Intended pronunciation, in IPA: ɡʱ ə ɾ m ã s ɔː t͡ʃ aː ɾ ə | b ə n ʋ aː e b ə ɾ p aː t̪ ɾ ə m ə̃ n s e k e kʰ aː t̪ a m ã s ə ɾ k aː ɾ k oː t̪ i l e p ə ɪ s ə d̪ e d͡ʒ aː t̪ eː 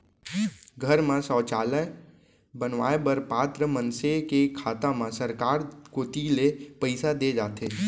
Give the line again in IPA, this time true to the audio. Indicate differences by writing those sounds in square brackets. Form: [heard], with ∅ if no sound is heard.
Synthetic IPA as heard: ɡʱ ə ɾ m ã s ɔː t͡ʃ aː [l] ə | b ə n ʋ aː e b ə ɾ p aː t̪ ɾ ə m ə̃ n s e k e kʰ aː t̪ a m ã s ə ɾ k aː ɾ k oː t̪ i l e p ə ɪ s [a] d̪ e d͡ʒ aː t̪ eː